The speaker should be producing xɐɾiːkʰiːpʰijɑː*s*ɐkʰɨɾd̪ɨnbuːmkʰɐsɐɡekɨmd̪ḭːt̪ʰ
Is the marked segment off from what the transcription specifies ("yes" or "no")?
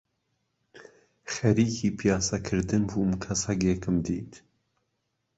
no